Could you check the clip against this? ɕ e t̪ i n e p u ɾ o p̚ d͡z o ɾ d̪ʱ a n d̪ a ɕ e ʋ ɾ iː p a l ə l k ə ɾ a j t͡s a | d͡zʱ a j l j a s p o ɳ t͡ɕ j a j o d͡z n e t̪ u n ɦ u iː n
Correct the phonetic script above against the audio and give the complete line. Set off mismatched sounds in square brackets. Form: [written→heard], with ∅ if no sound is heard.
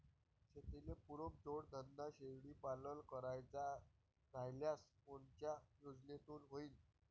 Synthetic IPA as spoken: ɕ e t̪ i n e p u ɾ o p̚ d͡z o [ɾ→ɽ] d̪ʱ [a→ə] n d̪ a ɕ e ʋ [ɾ→ɽ] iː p a l ə l k ə ɾ a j t͡s a | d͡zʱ a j l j a s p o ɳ t͡ɕ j a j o d͡z n e t̪ [u→uː] n ɦ [u→o] iː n